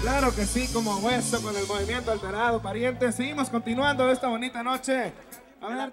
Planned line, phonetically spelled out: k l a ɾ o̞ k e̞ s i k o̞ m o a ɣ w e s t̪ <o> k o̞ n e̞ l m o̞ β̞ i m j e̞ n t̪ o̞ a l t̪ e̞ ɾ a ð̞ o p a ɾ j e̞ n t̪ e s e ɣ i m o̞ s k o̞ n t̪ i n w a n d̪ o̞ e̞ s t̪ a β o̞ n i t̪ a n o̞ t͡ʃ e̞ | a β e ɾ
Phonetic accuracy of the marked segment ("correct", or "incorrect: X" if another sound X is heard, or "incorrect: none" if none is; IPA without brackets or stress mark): correct